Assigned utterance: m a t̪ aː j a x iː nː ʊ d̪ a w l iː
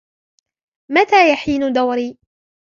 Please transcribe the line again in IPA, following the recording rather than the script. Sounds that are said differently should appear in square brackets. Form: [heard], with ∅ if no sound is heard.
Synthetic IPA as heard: m a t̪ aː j a [ħ] iː [n] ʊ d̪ a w [ɾ] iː